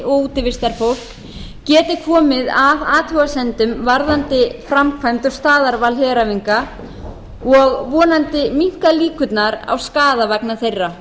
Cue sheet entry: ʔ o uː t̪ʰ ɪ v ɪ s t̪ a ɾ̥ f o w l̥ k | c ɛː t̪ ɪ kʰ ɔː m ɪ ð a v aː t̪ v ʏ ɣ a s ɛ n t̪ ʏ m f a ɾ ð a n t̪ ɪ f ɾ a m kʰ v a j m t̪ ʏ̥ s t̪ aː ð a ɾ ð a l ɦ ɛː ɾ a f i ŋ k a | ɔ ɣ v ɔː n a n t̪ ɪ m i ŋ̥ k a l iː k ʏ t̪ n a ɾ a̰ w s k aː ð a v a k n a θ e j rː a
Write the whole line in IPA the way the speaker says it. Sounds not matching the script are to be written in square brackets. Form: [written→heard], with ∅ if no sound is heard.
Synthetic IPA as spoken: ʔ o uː [t̪ʰ→t̪] ɪ v ɪ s t̪ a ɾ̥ f o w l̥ k | c ɛː t̪ ɪ kʰ ɔː m ɪ ð a v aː t̪ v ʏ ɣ a s ɛ n t̪ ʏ m [f→v] a ɾ ð a n t̪ ɪ f ɾ a m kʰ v a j m t̪ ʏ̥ s t̪ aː ð a ɾ [ð→v] a l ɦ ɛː ɾ a [f→v] i ŋ k a | ɔ ɣ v ɔː n a n t̪ ɪ m i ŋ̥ k a l iː k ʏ t̪ n a ɾ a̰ w s k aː ð a v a k n a θ e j rː a